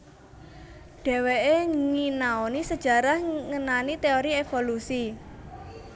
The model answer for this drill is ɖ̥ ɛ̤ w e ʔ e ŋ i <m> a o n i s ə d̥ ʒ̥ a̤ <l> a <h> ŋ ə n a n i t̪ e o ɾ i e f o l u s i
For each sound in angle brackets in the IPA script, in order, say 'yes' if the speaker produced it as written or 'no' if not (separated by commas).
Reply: no, no, yes